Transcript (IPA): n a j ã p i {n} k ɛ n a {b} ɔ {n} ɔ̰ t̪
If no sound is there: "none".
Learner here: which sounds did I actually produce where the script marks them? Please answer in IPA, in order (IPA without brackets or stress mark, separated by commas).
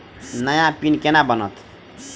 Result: n, b, n